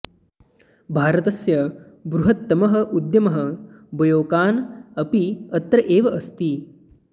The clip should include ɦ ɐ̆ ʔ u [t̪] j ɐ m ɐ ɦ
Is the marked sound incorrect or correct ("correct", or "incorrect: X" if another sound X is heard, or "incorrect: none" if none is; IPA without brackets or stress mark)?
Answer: incorrect: d̪